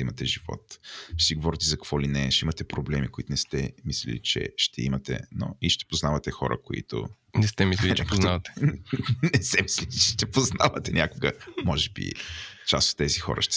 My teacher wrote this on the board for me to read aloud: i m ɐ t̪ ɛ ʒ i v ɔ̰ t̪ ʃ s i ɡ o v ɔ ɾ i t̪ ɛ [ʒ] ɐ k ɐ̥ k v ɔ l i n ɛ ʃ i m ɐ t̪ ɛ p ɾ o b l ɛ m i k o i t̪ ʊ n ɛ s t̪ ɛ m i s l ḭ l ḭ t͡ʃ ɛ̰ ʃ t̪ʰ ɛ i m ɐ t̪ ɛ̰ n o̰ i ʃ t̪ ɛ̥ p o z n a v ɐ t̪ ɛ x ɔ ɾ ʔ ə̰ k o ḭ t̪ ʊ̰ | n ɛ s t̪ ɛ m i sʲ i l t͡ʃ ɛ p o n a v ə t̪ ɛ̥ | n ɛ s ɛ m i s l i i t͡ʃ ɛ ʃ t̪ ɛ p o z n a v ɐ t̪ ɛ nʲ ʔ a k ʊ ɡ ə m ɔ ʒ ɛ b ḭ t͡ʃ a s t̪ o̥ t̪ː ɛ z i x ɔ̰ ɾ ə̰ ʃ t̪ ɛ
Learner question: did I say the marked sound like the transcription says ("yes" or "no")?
no